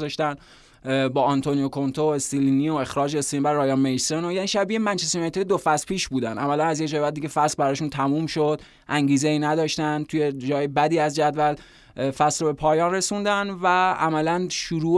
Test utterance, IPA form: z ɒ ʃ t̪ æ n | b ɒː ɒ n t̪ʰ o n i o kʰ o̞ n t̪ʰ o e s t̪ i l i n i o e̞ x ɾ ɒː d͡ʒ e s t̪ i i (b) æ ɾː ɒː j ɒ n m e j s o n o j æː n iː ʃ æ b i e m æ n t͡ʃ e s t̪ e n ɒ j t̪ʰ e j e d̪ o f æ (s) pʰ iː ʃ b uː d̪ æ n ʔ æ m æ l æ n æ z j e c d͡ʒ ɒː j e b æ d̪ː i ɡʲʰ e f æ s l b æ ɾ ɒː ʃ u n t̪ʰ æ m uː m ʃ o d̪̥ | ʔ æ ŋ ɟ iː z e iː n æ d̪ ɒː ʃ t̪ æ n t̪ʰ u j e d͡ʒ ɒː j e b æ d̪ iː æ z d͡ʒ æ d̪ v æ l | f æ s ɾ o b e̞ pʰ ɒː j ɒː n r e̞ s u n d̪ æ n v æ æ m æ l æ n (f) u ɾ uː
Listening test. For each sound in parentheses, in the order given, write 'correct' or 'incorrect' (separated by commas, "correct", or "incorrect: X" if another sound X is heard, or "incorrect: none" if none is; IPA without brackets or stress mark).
correct, correct, incorrect: ʃ